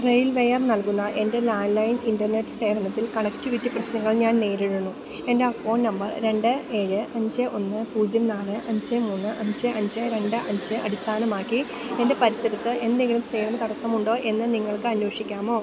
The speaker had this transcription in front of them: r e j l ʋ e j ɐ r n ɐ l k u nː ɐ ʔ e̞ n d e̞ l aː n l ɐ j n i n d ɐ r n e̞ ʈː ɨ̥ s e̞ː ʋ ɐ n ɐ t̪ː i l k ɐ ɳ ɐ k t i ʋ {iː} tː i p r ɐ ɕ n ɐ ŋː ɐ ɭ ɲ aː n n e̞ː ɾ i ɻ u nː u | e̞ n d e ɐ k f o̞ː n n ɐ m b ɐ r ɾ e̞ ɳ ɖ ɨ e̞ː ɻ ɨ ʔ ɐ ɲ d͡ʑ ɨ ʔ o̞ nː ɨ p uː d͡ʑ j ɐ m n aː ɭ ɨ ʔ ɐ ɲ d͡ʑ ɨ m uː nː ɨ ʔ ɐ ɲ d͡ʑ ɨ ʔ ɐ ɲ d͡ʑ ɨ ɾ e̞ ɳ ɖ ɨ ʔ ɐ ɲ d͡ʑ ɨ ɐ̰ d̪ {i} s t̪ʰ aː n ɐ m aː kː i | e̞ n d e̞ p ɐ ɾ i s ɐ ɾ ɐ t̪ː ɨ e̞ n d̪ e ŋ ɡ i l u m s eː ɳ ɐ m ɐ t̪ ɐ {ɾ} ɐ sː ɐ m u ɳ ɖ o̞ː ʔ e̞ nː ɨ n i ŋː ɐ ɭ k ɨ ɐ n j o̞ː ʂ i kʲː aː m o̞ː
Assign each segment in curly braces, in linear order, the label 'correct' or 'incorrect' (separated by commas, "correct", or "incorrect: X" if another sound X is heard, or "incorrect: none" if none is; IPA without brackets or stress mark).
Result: incorrect: i, correct, incorrect: ɽ